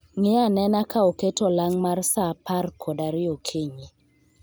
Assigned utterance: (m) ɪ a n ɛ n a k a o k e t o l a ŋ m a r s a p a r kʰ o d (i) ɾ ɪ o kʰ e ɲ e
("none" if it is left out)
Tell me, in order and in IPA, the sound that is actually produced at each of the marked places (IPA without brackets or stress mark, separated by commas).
ŋ, a